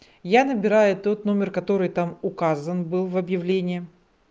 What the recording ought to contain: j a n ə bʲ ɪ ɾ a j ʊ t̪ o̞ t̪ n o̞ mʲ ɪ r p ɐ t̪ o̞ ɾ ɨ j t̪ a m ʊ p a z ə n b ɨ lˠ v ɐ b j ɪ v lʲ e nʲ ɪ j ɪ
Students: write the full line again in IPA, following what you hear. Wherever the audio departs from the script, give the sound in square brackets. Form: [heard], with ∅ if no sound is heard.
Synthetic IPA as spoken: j a n ə bʲ ɪ ɾ a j ʊ t̪ o̞ t̪ n o̞ mʲ ɪ r [k] ɐ t̪ o̞ ɾ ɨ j t̪ a m ʊ [k] a z ə n b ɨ lˠ v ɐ b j ɪ v lʲ e nʲ ɪ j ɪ